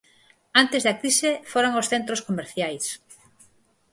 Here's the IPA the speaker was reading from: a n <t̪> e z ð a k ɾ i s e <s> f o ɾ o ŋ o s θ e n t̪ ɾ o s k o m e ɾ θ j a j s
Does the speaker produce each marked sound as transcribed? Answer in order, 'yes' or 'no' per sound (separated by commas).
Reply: yes, no